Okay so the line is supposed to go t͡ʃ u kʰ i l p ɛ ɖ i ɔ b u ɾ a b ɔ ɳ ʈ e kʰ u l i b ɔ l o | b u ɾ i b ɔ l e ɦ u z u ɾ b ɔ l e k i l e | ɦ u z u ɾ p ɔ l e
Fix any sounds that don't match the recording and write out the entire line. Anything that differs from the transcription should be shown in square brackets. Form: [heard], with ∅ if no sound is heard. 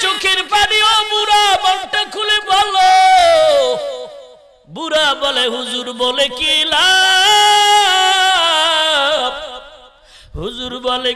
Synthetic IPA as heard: t͡ʃ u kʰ i [ɾ] p [a] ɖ i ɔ b u ɾ a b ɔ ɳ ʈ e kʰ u l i b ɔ l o | b u ɾ [a] b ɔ l e ɦ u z u ɾ b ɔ l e k i l [a] | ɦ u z u ɾ [b] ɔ l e